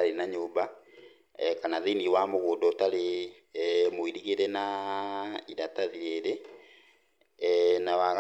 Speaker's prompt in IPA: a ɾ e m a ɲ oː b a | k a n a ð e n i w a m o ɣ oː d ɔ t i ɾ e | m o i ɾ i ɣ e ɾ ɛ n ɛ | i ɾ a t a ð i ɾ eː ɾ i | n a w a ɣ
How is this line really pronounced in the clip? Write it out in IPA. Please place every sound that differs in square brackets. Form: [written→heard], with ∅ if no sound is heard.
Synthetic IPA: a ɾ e [m→n] a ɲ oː b a | k a n a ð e n i w a m o ɣ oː d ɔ t [i→a] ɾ e | m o i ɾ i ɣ e ɾ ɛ n [ɛ→a] | i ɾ a t a ð i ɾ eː ɾ [i→e] | n a w a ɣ